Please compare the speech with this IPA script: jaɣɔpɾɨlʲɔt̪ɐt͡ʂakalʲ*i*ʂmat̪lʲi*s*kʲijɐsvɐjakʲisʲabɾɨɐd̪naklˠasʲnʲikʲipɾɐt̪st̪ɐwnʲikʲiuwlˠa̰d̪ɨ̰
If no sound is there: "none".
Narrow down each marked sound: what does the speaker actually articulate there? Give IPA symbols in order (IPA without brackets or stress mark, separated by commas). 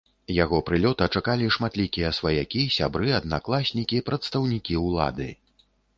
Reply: i, none